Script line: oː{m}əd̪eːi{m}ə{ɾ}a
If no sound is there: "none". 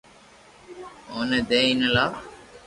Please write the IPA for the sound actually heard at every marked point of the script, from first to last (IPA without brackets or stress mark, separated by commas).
n, n, l